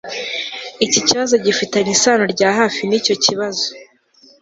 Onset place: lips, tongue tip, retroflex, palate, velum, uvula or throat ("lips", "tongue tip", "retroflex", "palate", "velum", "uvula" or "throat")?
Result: palate